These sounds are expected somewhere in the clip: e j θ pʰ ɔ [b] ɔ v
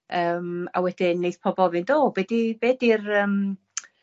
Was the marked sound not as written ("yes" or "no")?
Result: no